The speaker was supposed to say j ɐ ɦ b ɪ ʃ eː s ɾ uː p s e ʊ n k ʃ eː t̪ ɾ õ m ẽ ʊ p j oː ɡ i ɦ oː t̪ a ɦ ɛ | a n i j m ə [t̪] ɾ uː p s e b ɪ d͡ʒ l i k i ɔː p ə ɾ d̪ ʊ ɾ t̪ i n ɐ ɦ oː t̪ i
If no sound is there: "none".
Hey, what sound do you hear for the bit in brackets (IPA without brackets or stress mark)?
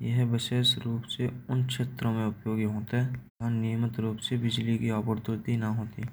t̪